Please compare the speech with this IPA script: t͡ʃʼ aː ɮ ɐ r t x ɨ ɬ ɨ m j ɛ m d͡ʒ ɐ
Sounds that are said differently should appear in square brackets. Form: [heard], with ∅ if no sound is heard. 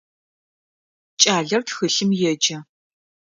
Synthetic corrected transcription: t͡ʃʼ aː ɮ ɐ r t x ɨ ɬ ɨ m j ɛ [∅] d͡ʒ ɐ